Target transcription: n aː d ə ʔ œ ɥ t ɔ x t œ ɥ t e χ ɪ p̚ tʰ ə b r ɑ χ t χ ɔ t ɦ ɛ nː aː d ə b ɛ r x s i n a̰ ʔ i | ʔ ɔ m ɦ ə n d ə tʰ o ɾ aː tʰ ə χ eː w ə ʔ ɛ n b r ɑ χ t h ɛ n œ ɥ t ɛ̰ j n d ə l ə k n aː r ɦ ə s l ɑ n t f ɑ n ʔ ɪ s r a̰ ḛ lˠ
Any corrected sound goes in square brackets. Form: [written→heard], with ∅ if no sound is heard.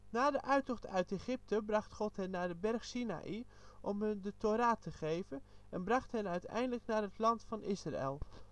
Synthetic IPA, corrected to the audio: n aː d ə ʔ œ ɥ t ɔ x t œ ɥ t e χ ɪ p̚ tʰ ə b r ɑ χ t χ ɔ t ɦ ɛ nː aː d ə b ɛ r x s i n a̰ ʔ i | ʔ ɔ m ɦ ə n d ə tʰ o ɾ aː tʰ ə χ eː [w→v] ə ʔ ɛ n b r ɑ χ t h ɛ n œ ɥ t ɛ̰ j n d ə l ə k n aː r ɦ ə [s→t] l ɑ n t f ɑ n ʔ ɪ s r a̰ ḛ lˠ